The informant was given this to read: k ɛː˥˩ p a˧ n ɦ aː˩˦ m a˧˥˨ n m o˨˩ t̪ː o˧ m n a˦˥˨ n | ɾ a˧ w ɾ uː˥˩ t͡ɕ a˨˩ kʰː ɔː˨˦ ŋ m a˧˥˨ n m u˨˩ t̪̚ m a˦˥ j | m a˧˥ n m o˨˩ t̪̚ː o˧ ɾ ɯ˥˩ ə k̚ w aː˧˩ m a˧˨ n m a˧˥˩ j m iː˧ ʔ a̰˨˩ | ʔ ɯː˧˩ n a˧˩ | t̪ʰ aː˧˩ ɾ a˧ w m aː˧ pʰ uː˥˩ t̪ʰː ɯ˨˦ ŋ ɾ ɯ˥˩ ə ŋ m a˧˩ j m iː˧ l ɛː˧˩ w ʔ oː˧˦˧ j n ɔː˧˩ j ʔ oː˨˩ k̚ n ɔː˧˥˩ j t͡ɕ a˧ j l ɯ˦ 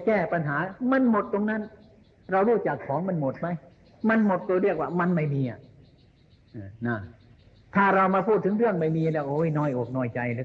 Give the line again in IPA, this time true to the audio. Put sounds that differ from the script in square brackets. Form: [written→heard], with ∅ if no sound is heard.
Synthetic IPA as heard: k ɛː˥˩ p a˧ n ɦ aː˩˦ m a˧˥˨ n m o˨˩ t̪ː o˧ [m→ŋ] n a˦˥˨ n | ɾ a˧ w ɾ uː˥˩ t͡ɕ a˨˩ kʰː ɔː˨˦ ŋ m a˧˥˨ n m [u˨˩→o˨˩] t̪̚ m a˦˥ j | m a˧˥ n m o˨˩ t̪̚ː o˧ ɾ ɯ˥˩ ə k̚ w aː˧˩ m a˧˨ n m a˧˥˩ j m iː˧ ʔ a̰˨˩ | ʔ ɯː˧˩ n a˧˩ | t̪ʰ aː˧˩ ɾ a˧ w m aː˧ pʰ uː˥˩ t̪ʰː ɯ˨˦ ŋ ɾ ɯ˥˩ ə ŋ m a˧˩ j m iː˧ l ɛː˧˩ w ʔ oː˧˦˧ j n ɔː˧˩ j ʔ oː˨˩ k̚ n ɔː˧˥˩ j t͡ɕ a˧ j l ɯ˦